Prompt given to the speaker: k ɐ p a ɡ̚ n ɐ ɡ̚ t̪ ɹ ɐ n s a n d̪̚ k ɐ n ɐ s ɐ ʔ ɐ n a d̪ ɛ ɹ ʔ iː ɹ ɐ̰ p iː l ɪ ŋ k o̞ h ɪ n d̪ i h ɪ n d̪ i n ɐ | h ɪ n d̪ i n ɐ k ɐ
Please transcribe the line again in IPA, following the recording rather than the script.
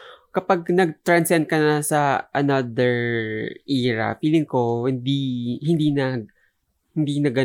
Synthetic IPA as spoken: k ɐ p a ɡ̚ n ɐ ɡ̚ t̪ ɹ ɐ n s ɛ n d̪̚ k ɐ n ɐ s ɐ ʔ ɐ n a d̪ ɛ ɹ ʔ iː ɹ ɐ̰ p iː l ɪ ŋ k o̞ h ɪ n d̪ i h ɪ n d̪ i n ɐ | h ɪ n d̪ i n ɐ ɡ ɐ